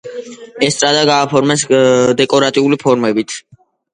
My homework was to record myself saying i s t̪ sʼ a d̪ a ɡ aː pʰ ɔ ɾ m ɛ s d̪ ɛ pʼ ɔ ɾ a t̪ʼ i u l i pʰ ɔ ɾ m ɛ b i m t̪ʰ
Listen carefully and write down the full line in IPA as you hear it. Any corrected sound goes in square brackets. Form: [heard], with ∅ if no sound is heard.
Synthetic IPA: [ɛ] s t̪ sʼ a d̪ a ɡ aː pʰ ɔ ɾ m ɛ s d̪ ɛ [kʼ] ɔ ɾ a t̪ʼ i u l i pʰ ɔ ɾ m ɛ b i [∅] t̪ʰ